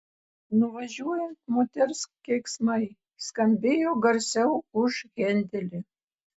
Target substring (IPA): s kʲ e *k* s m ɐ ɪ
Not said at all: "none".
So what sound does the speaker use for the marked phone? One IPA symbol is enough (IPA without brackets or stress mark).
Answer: k